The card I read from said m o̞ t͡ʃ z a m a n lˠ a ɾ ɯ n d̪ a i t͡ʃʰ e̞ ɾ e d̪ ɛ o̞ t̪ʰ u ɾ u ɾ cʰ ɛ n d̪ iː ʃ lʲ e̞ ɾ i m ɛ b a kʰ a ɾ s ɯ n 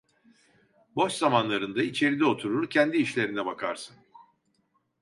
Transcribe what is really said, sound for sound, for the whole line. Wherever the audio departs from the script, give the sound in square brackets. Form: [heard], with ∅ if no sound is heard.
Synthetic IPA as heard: [b] o̞ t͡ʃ z a m a n lˠ a ɾ ɯ n d̪ a i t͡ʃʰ e̞ ɾ [i] d̪ ɛ o̞ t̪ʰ u ɾ u ɾ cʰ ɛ n d̪ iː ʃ lʲ e̞ ɾ i [n] ɛ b a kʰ a ɾ s ɯ n